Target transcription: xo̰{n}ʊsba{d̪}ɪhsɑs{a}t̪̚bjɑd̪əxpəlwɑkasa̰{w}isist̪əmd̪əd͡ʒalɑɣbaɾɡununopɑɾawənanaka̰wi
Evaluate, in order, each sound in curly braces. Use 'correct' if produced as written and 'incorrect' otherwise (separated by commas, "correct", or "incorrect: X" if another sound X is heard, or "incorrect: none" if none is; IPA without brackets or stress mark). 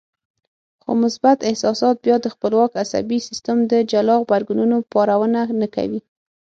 incorrect: m, incorrect: t̪, incorrect: ɑ, incorrect: b